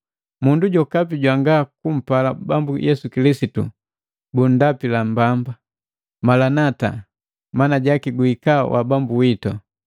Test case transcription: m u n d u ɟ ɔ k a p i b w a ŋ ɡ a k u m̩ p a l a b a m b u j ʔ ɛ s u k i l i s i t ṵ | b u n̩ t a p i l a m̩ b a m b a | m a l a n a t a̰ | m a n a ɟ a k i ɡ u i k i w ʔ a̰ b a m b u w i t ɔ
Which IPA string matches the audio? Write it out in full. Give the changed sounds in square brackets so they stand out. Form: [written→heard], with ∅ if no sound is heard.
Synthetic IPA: m u n d u ɟ ɔ k a p i [b→ɟ] w a ŋ ɡ a k u m̩ p a l a b a m b u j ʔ ɛ s u k i l i s i t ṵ | b u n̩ [t→d] a p i l a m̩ b a m b a | m a l a n a t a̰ | m a n a ɟ a k i ɡ u i k [i→a] w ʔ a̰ b a m b u w i t ɔ